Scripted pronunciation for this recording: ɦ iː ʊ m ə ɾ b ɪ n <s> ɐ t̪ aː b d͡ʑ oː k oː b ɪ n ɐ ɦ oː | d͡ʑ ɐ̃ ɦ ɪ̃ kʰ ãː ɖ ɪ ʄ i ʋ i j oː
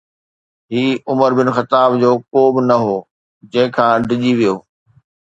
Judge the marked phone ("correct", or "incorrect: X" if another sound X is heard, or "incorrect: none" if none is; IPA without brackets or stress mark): incorrect: x